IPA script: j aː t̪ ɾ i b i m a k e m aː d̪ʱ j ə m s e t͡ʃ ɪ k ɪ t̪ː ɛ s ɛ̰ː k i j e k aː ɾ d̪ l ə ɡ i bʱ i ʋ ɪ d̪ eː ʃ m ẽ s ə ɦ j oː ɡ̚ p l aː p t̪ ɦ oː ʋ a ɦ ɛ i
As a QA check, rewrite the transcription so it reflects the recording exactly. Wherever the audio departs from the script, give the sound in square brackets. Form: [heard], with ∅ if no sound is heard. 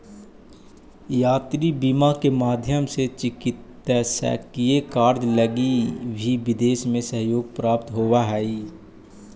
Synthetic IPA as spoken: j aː t̪ ɾ i b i m a k e m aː d̪ʱ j ə m s e t͡ʃ ɪ k ɪ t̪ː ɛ s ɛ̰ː k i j e k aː ɾ d̪ l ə ɡ i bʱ i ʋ ɪ d̪ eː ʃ m ẽ s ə ɦ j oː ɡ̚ p [ɾ] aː p t̪ ɦ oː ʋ a ɦ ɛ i